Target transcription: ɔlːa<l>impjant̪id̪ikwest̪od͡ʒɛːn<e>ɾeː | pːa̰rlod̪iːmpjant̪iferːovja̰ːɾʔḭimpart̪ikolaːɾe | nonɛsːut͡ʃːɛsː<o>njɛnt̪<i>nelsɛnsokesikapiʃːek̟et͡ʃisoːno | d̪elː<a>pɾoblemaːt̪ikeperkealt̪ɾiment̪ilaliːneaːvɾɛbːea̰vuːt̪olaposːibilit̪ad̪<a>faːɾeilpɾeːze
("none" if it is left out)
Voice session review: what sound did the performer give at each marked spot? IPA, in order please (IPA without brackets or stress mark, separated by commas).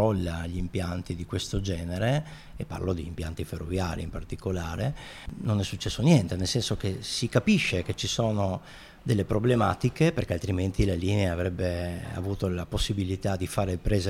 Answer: ʎ, e, o, e, e, i